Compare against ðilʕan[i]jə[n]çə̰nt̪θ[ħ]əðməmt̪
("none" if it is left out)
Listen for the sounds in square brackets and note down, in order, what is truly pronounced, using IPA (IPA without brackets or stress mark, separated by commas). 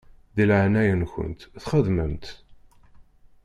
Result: æ, n, χ